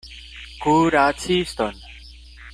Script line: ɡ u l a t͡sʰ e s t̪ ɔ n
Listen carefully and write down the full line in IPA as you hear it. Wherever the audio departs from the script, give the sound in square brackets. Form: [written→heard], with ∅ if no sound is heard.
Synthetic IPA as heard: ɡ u [l→ɾ] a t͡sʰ [e→i] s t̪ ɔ n